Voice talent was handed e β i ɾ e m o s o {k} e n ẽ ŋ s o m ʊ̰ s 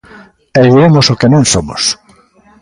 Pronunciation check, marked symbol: correct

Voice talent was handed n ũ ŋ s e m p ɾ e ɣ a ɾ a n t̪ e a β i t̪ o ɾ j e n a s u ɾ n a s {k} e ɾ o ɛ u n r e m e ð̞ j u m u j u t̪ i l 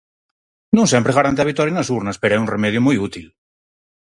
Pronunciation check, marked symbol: incorrect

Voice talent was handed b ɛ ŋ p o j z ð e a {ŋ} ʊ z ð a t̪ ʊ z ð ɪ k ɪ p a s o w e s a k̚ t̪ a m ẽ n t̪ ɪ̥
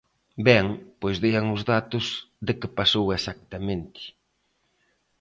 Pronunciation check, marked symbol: correct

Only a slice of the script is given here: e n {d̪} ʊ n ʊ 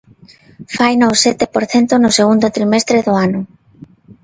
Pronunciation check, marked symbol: incorrect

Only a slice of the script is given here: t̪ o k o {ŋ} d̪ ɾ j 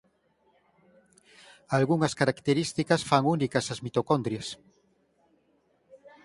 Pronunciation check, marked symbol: incorrect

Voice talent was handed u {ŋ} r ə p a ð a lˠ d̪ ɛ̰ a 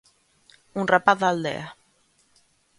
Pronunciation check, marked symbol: incorrect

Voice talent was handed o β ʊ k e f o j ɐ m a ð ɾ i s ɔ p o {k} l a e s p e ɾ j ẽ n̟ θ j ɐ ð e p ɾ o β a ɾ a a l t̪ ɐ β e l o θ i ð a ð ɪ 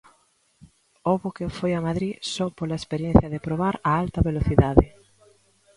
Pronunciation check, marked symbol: incorrect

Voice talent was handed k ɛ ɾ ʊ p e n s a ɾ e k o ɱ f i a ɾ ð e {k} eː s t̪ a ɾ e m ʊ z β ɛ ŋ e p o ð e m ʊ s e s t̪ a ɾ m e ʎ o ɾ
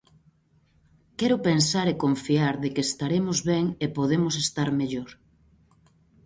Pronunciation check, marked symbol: correct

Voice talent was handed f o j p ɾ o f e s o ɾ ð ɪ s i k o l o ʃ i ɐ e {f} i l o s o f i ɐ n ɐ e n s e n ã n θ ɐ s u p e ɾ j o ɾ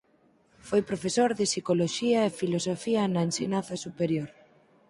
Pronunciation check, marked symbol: correct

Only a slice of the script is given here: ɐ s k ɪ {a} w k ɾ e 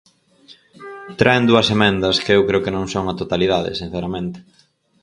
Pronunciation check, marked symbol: incorrect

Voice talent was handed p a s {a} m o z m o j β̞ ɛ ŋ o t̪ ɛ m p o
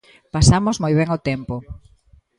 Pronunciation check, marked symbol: correct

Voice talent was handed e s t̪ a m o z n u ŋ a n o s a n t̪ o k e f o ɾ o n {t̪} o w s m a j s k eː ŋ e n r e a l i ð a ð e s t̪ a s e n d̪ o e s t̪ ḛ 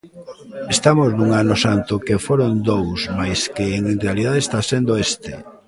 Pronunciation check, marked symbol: incorrect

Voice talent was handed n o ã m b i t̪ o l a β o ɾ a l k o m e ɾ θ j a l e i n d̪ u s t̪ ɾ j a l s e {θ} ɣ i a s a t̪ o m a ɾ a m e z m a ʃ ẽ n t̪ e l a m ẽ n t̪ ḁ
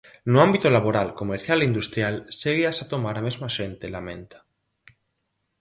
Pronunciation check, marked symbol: incorrect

